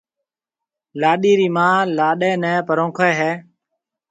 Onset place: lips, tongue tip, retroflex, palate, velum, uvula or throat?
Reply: tongue tip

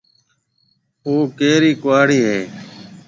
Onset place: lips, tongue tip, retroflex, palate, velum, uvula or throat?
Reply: velum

